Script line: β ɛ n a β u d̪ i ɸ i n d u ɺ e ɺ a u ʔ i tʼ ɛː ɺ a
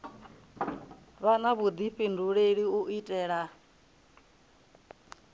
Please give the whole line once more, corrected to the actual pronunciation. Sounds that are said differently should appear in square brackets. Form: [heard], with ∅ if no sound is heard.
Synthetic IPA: β [a] n a β u d̪ i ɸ i n d u ɺ e ɺ [i] u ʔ i tʼ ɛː ɺ a